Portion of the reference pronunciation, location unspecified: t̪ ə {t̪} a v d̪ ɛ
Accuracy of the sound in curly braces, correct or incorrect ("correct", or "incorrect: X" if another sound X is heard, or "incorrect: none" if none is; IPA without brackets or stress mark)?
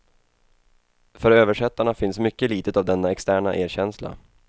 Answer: correct